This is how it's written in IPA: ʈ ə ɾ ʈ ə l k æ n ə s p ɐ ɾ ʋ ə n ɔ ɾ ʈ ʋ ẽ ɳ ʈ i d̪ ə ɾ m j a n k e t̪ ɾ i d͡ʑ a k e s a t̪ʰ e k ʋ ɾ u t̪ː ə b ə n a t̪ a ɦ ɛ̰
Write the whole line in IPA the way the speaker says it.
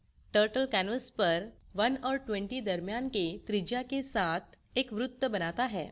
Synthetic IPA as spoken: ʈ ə ɾ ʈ ə l k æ n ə s p ə ɾ ʋ ə n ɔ ɾ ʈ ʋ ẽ ɳ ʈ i d̪ ə ɾ m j a n k e t̪ ɾ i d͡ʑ a k e s a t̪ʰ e k ʋ ɾ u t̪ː ə b ə n a t̪ a ɦ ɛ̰